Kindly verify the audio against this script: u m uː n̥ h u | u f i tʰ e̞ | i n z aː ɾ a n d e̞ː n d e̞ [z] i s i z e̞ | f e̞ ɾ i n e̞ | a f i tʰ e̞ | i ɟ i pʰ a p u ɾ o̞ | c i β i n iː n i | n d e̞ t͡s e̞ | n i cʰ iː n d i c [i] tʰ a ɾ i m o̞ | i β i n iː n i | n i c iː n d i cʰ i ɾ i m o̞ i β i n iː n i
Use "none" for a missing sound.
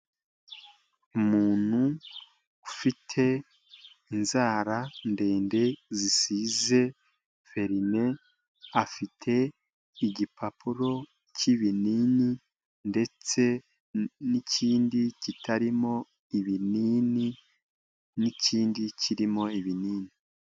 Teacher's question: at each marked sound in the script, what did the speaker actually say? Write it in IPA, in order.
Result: z, i

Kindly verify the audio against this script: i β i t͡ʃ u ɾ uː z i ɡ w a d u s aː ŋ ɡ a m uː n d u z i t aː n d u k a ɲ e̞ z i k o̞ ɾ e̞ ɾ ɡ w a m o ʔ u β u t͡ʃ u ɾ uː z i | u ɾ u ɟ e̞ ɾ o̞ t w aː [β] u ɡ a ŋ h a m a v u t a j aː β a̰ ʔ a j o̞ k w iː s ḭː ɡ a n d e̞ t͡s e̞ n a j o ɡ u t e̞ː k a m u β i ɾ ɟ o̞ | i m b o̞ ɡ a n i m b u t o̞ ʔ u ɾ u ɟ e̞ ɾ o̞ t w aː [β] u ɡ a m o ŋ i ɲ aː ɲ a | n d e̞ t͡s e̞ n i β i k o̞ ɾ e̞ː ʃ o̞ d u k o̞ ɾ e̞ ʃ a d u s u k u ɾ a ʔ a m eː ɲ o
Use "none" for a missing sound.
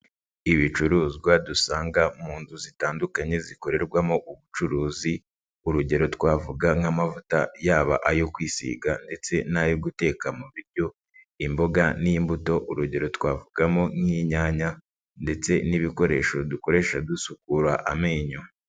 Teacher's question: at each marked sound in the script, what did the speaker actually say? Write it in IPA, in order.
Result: v, v

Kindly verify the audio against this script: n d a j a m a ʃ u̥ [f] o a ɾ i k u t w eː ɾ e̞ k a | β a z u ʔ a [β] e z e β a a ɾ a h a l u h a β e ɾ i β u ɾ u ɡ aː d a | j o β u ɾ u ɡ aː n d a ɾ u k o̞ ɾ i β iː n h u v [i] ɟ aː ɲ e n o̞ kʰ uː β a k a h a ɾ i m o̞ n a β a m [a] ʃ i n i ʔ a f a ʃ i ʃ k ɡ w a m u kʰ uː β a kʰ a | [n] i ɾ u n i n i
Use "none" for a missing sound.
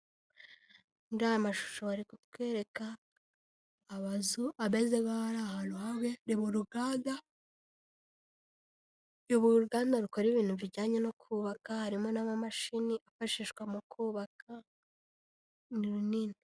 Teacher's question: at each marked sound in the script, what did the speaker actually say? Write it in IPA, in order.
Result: ʃ, β, i, a, n

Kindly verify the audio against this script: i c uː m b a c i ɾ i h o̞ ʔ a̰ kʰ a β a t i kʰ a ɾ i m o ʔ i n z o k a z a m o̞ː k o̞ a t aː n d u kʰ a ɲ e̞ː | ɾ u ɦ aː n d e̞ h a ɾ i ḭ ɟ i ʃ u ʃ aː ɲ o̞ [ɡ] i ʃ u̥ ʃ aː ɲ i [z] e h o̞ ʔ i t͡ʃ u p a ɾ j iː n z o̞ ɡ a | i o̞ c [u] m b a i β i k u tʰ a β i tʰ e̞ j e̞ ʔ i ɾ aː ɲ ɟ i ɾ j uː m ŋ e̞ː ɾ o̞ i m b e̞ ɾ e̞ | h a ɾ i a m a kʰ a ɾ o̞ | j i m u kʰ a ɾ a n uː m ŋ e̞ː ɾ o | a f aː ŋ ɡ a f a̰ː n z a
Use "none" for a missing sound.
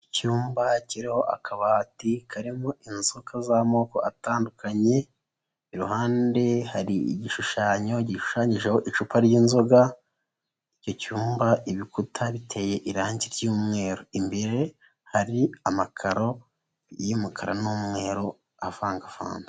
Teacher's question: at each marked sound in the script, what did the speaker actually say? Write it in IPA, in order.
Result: ɟ, ʒ, uː

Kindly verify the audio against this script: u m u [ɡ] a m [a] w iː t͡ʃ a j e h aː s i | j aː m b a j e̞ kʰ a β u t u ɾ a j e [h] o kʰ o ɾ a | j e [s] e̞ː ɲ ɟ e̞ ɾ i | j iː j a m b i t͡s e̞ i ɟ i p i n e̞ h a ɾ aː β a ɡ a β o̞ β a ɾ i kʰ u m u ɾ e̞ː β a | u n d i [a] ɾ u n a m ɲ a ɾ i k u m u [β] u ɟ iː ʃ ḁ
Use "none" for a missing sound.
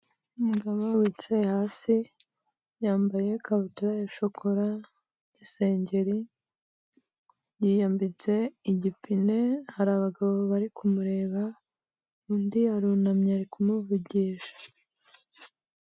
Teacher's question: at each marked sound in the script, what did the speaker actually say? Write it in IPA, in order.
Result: ɡ, a, ʃ, s, a, v

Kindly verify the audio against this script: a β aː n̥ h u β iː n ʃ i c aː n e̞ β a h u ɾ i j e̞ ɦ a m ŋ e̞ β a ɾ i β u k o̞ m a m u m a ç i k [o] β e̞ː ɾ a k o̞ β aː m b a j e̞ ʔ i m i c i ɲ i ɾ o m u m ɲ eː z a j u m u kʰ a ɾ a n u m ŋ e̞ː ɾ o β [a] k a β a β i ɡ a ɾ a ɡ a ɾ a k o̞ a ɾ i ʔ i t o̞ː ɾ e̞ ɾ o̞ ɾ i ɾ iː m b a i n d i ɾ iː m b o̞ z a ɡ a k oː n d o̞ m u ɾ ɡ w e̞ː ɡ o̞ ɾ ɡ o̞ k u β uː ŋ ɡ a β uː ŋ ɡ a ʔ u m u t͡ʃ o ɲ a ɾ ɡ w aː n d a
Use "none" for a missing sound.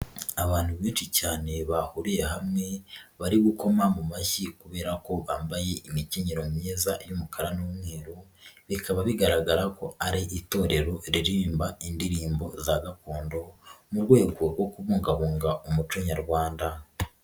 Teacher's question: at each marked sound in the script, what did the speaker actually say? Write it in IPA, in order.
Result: u, i

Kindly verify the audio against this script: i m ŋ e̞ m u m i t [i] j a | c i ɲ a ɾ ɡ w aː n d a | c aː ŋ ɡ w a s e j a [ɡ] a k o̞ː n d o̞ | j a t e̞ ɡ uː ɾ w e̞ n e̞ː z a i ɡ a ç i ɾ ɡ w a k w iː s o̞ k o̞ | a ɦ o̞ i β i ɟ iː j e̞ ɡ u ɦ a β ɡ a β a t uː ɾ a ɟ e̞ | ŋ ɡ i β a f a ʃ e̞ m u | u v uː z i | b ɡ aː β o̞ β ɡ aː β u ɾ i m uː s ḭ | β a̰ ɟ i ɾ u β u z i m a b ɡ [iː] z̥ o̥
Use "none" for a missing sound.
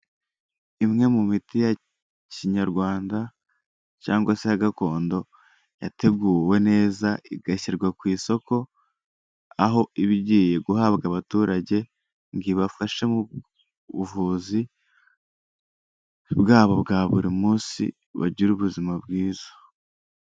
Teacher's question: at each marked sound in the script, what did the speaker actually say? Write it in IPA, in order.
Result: i, ɡ, iː

